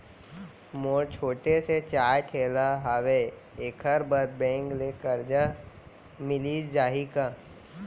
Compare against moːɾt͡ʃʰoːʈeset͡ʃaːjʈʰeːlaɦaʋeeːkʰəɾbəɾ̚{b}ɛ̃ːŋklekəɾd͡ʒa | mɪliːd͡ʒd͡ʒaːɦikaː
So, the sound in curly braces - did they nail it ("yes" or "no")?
yes